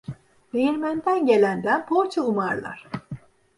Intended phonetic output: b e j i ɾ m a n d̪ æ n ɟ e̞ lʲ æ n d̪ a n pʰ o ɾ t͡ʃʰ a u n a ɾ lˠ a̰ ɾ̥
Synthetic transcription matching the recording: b e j i ɾ m æ n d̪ æ n ɟ e̞ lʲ æ n d̪ æ n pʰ o ɾ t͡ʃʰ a u m a ɾ lˠ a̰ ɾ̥

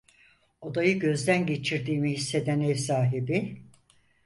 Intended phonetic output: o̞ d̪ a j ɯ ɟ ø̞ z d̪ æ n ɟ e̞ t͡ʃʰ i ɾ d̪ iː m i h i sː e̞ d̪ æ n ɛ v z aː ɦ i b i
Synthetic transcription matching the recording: o̞ d̪ a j ɯ ɟ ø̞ z d̪ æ n ɟ e̞ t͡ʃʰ i ɾ d̪ iː m i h i sː e̞ d̪ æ n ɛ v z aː ɦ i b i

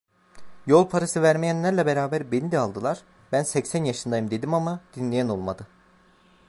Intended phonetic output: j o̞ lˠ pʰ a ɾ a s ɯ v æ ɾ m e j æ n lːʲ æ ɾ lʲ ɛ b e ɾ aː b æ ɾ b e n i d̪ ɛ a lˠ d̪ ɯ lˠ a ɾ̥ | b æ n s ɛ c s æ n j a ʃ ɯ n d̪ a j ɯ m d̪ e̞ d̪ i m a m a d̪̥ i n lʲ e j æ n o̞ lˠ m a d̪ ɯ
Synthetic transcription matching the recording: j o̞ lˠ pʰ a ɾ a s ɯ v æ ɾ m e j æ n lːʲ æ ɾ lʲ ɛ b e ɾ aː b æ ɾ b e n i d̪ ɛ a lˠ d̪ ɯ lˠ a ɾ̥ | b æ n s ɛ c s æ n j a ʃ ɯ n d̪ a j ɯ m d̪ e̞ d̪ i m a m a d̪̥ i n lʲ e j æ n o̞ lˠ m a d̪ ɯ

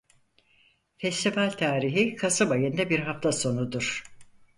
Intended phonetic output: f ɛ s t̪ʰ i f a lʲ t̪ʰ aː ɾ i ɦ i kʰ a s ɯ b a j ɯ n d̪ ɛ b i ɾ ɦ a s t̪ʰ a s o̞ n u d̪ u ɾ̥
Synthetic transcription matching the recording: f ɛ s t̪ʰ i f a lʲ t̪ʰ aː ɾ i ɦ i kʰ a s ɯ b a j ɯ n d̪ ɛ b i ɾ ɦ a f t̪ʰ a s o̞ n u d̪ u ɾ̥

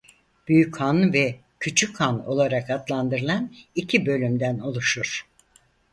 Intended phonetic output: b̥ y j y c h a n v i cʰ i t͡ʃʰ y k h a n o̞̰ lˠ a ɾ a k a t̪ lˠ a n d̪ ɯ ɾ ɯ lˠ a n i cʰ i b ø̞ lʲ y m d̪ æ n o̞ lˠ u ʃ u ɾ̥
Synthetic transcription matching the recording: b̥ y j y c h a n v ɛ cʰ y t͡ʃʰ y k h a n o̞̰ lˠ a ɾ a k a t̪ lˠ a n d̪ ɯ ɾ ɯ lˠ a n i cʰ i b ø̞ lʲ y m d̪ æ n o̞ lˠ u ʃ u ɾ̥

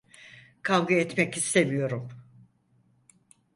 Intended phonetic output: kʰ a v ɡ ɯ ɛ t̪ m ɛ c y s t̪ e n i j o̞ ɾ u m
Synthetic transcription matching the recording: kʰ a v ɡ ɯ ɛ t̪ m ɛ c i s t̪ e m i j o̞ ɾ u m

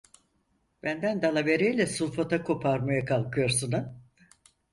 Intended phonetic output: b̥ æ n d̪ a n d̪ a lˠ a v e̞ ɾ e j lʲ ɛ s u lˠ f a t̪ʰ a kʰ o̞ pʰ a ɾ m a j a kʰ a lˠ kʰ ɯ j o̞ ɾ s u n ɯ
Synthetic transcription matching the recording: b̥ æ n d̪ æ n d̪ a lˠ a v e̞ ɾ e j lʲ ɛ s u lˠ f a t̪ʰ a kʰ o̞ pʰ a ɾ m a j a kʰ a lˠ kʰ ɯ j o̞ ɾ s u n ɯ

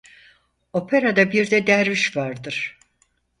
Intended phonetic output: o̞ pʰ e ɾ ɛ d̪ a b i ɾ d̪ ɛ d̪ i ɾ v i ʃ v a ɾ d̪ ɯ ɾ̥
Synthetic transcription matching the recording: o̞ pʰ e ɾ a d̪ a b i ɾ d̪ ɛ d̪ æ ɾ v i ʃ v a ɾ d̪ ɯ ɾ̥

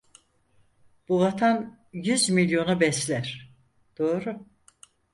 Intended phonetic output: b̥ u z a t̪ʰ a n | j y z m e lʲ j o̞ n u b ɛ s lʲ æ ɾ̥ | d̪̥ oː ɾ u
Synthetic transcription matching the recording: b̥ u v a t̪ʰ a n | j y z m i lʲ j o̞ n u b ɛ s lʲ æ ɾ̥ | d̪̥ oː ɾ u

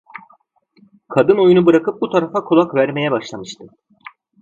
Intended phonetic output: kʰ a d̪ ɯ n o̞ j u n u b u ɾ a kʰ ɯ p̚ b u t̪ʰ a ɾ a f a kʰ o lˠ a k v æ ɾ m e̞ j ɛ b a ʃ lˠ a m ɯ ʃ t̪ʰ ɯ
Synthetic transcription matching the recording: kʰ a d̪ ɯ n o̞ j u n u b ɯ ɾ a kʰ ɯ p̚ b u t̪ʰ a ɾ a f a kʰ o lˠ a k v æ ɾ m e̞ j ɛ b a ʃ lˠ a m ɯ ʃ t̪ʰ ɯ

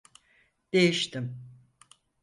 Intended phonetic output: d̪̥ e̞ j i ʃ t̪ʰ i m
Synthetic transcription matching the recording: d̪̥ e̞ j i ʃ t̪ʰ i m

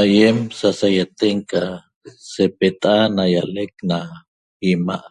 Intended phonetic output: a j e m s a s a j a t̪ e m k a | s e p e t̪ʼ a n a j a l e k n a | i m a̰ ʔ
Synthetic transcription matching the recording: a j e m s a s a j a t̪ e ŋ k a | s e p e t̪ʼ a n a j a l e k n a | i m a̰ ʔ

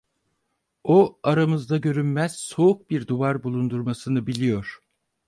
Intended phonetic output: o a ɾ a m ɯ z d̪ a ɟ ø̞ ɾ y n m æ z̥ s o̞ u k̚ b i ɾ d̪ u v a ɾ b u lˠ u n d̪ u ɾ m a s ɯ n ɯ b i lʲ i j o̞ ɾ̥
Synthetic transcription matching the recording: o a ɾ a m ɯ z d̪ a ɟ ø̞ ɾ y n m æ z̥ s o̞ u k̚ b i ɾ d̪ u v a ɾ b u lˠ u n d̪ u ɾ m a s ɯ n ɯ b i lʲ i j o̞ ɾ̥

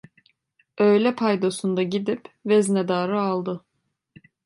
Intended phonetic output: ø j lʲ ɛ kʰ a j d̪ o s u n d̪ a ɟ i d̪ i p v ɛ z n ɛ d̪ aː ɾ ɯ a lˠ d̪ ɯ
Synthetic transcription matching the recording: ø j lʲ ɛ pʰ a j d̪ o s u n d̪ a ɟ i d̪ i p v ɛ z n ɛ d̪ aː ɾ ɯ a lˠ d̪ ɯ

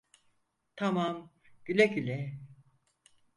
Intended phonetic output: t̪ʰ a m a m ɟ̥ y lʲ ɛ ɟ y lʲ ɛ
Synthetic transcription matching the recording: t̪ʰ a m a m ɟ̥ y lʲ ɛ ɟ y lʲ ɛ

